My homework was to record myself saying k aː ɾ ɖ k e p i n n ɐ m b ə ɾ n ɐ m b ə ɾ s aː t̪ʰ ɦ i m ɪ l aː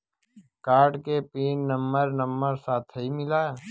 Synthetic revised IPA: k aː ɾ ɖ k e p iː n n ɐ m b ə ɾ n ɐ m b ə ɾ s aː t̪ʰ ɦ i m ɪ l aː